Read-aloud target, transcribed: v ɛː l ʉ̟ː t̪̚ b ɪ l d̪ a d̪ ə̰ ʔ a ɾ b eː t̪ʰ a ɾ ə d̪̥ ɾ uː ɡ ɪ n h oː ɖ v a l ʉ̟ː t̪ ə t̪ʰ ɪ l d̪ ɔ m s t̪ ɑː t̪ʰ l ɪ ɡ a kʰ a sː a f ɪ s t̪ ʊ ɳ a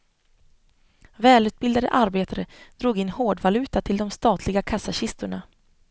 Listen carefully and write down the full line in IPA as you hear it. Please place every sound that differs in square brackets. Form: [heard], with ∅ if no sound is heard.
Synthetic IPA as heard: v ɛː l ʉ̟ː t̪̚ b ɪ l d̪ a d̪ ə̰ ʔ a ɾ b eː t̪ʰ a ɾ ə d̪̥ ɾ uː ɡ ɪ n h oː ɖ v a l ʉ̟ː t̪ [a] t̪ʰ ɪ l d̪ ɔ m s t̪ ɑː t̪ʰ l ɪ ɡ a kʰ a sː a [ɕ] ɪ s t̪ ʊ ɳ a